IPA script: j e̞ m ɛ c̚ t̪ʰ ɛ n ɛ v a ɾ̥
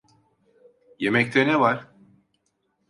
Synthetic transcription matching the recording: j e̞ m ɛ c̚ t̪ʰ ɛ n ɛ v a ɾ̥